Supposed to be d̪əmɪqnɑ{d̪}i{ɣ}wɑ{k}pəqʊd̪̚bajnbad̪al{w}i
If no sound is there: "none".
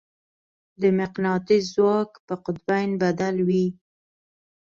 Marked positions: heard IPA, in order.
t̪, z, k, w

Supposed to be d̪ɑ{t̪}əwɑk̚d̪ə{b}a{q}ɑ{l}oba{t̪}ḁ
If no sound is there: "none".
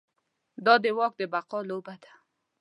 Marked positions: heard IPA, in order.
d̪, b, q, l, d̪

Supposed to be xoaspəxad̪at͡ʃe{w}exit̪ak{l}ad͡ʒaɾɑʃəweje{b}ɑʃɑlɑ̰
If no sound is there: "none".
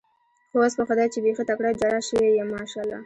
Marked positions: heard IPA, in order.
b, ɽ, m

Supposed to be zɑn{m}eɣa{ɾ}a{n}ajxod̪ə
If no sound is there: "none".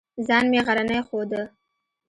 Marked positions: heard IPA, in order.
m, ɾ, n

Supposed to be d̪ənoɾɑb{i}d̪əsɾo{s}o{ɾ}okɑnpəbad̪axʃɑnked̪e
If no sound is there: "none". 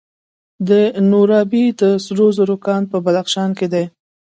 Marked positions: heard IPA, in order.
i, z, ɾ

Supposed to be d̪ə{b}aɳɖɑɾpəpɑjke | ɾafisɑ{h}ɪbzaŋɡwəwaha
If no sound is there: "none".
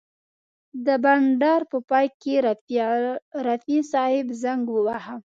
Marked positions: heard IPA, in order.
b, h

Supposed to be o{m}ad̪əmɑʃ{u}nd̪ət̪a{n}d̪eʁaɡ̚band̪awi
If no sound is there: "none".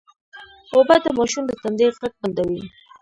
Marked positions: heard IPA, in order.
b, u, n

